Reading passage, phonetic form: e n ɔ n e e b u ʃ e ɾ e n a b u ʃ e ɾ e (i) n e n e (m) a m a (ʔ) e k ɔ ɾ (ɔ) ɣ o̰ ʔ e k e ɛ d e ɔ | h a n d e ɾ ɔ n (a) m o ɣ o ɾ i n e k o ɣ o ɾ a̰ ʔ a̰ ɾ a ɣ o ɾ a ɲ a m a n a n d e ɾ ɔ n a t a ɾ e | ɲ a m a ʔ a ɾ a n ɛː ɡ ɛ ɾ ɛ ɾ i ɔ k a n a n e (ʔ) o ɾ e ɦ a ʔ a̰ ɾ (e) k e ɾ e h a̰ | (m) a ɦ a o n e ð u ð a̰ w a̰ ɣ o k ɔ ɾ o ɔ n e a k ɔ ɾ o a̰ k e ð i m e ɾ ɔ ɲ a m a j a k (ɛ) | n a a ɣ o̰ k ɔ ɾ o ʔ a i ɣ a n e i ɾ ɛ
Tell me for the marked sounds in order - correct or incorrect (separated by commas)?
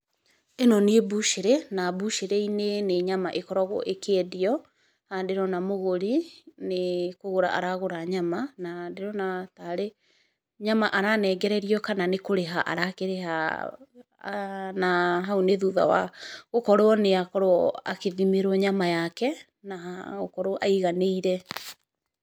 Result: correct, incorrect, correct, correct, correct, incorrect, incorrect, incorrect, correct